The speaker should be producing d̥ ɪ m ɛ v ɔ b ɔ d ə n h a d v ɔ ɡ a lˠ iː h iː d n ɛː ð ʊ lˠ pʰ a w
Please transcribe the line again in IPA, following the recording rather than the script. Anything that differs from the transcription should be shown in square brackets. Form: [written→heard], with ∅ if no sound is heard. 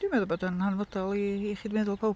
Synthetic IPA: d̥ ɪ m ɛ [v→ð] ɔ b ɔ d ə n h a [d→n] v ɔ [ɡ→d] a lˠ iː [h→χ] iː d [n→m] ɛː ð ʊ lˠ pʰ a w